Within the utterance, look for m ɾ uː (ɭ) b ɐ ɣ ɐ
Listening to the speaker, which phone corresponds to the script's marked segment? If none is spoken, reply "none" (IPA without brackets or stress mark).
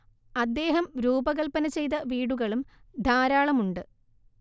none